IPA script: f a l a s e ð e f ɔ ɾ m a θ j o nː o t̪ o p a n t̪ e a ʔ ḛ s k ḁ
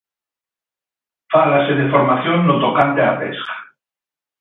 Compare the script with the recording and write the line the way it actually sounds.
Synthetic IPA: f a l a s e ð e f o ɾ m a θ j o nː o t̪ o k a n t̪ e a p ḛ s k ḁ